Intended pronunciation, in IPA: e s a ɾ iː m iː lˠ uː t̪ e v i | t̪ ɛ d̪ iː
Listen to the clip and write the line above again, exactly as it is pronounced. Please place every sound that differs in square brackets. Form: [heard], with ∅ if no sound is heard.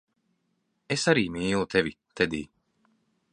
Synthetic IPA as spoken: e s a ɾ iː m iː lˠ [u] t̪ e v i | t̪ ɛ d̪ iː